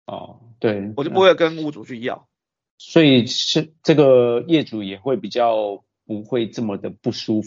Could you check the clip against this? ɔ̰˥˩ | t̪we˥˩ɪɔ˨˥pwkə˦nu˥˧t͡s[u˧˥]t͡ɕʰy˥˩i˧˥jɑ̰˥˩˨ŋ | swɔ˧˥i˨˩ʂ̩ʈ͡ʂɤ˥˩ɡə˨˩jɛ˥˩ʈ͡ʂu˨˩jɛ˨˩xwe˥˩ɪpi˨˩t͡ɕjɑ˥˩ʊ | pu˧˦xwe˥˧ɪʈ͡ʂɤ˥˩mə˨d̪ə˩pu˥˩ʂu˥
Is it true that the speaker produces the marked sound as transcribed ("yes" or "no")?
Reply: no